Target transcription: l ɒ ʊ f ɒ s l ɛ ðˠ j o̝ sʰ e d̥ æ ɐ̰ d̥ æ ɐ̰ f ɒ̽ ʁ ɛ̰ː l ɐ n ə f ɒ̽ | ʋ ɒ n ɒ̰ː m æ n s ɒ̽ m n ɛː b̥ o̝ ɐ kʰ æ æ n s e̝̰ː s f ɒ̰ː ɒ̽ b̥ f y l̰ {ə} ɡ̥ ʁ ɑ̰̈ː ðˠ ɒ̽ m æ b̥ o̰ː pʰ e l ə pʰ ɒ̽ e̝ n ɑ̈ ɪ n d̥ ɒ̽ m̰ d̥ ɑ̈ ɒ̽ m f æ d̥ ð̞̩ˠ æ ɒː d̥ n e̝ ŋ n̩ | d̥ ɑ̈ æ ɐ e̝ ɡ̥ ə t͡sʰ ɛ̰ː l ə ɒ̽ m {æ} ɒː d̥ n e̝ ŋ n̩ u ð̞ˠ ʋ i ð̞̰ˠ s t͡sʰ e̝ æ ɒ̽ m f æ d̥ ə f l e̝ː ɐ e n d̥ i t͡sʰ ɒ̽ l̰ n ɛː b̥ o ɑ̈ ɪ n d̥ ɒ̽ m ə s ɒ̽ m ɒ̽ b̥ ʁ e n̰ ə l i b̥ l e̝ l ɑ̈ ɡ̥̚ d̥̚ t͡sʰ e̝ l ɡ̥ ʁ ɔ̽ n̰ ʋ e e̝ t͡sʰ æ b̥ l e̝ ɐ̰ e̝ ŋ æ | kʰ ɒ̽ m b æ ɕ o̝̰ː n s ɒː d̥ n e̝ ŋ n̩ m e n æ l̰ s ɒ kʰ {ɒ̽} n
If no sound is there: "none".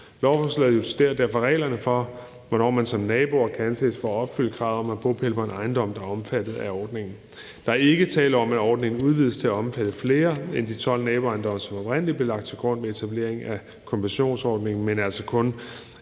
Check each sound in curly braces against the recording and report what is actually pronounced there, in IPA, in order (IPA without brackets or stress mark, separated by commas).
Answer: ə, æ, ɔ̽